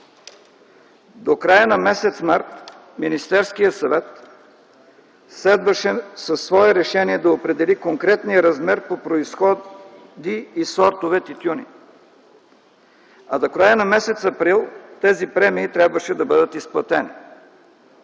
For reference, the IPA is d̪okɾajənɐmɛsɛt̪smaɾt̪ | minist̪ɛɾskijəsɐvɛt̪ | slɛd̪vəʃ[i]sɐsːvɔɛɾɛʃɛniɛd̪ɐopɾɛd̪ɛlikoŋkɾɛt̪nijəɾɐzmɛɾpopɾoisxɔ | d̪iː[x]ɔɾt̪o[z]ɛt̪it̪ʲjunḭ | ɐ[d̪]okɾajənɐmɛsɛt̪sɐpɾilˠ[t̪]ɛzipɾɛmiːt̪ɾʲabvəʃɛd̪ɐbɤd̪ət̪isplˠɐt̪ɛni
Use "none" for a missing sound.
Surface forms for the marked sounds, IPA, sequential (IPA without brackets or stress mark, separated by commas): ɛ, s, v, d̪, t̪